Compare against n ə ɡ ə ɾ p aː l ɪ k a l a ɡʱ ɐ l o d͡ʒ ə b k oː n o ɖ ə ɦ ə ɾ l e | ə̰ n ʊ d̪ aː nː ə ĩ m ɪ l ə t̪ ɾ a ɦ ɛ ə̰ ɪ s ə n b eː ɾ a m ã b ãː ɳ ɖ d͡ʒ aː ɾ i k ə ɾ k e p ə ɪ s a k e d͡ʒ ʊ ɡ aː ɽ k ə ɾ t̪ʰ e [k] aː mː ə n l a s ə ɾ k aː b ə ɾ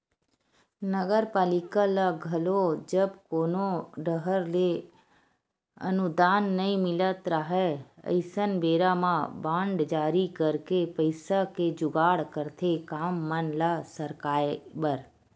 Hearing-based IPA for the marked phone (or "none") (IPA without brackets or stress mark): k